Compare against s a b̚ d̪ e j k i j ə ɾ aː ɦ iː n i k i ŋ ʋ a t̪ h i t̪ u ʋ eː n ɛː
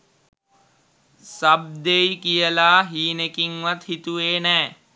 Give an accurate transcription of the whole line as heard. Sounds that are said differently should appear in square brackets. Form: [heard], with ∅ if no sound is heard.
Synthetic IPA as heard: s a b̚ d̪ e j k i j ə [l] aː ɦ iː n [e] k i ŋ ʋ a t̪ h i t̪ u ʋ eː n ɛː